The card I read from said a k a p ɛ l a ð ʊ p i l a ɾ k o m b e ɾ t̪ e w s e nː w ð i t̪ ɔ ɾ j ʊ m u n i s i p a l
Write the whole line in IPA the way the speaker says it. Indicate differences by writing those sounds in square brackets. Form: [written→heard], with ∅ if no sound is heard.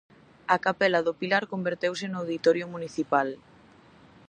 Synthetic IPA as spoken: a k a p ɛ l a ð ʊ p i l a ɾ k o m b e ɾ t̪ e w s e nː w ð i t̪ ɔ ɾ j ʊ m u n i [s→θ] i p a l